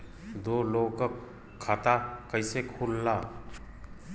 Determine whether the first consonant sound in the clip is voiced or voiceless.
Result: voiced